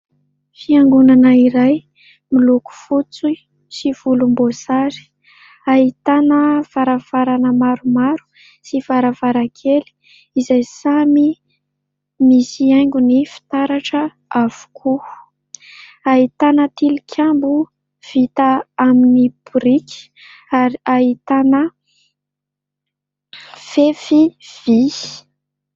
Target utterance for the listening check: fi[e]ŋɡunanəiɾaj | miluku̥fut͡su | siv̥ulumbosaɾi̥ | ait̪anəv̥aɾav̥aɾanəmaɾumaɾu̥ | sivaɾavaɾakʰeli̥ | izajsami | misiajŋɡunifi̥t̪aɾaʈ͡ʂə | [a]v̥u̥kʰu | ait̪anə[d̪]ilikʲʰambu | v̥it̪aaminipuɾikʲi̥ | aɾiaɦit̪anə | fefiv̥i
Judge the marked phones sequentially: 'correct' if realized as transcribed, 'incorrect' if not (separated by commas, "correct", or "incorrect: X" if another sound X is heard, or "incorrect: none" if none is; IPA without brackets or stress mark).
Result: incorrect: a, correct, incorrect: t̪